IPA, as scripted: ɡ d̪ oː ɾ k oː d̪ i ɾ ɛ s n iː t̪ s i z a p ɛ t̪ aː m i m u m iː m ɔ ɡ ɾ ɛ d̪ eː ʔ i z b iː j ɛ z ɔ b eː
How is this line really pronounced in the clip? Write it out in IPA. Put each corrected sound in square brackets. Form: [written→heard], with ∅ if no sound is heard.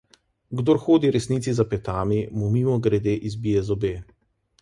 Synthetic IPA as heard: ɡ d̪ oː ɾ [k→x] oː d̪ i ɾ ɛ s n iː t̪ s i z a p ɛ t̪ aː m i m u m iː m ɔ ɡ ɾ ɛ d̪ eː ʔ i z b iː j ɛ z ɔ b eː